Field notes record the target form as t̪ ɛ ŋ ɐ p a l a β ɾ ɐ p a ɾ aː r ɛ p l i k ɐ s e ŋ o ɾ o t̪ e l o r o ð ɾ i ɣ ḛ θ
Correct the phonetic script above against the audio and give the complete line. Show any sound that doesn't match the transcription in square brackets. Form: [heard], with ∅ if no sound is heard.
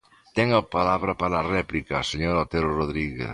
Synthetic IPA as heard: t̪ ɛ ŋ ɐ p a l a β ɾ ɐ p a ɾ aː r ɛ p l i k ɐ s e [ɲ] o ɾ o t̪ e [ɾ] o r o ð ɾ i ɣ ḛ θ